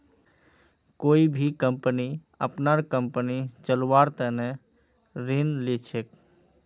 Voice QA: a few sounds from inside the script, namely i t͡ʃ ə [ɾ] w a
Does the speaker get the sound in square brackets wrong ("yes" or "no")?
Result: yes